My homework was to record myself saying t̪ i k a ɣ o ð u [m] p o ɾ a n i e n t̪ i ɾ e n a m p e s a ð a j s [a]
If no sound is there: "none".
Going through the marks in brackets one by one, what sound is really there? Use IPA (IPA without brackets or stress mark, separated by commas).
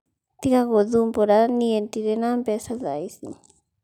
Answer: m, i